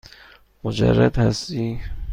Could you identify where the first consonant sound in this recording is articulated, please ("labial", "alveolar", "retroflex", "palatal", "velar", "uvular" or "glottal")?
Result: labial